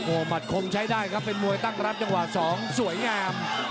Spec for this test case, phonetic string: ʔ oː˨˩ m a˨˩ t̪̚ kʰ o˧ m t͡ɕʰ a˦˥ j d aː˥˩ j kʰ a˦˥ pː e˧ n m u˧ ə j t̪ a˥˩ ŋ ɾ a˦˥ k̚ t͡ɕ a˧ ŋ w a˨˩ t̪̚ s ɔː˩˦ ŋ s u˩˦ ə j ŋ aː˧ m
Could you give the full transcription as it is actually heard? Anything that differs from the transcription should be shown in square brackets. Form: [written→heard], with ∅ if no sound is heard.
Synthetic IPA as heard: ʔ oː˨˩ m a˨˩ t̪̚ kʰ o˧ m t͡ɕʰ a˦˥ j d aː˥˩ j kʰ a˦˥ pː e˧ n m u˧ ə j t̪ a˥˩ ŋ ɾ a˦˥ [k̚→p̚] t͡ɕ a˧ ŋ w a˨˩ [t̪̚→∅] s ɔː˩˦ ŋ s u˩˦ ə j ŋ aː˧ m